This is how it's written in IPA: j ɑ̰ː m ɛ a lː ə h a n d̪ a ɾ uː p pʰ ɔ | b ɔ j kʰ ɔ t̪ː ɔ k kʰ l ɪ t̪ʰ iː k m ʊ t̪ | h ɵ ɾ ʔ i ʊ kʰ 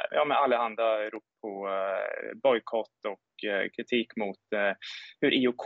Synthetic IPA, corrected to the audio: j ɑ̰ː m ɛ a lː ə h a n d̪ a ɾ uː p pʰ ɔ | b ɔ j kʰ ɔ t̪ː ɔ k kʰ ɾ ɪ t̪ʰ iː k m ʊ t̪ | h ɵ ɾ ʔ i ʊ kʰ